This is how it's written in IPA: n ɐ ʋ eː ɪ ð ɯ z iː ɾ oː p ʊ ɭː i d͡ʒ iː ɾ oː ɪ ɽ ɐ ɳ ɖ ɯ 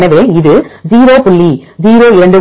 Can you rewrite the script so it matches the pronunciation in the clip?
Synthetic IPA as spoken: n ɐ ʋ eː ɪ ð ɯ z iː ɾ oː p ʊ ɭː i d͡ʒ iː ɾ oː ɪ ɾ ɐ ɳ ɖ ɯ